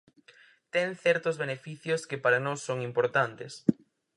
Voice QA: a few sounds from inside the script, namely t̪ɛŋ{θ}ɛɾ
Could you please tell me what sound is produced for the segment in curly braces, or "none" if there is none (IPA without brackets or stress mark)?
θ